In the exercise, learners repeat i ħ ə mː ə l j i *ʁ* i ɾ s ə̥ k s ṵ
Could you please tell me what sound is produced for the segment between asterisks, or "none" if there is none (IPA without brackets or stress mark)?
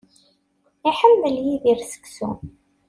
ð